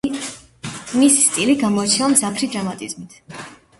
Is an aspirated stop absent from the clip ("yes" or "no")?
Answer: no